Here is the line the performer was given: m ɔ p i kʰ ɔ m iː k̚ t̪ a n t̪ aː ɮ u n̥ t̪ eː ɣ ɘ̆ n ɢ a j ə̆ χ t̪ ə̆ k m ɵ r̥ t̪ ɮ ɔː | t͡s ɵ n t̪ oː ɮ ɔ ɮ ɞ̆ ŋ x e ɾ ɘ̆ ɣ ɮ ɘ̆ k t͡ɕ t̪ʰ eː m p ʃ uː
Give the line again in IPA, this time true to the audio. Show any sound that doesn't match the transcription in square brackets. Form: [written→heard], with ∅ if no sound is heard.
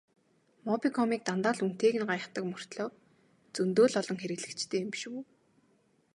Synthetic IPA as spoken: m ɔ p i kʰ ɔ m iː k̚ t̪ a n t̪ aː ɮ u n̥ t̪ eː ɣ ɘ̆ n ɢ a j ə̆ χ t̪ ə̆ k m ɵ r̥ t̪ ɮ ɔː | t͡s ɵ n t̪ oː ɮ ɔ ɮ ɞ̆ ŋ x e ɾ ɘ̆ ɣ ɮ ɘ̆ k t͡ɕ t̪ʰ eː m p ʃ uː